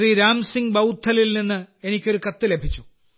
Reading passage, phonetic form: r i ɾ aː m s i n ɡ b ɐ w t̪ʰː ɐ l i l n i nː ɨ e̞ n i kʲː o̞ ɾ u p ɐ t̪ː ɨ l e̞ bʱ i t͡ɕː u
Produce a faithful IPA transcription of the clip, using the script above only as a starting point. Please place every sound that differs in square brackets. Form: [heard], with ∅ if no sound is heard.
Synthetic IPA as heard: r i ɾ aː m s i [ŋ] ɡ b ɐ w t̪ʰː ɐ l i l n i nː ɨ e̞ n i kʲː o̞ ɾ u [k] ɐ t̪ː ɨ l e̞ bʱ i t͡ɕː u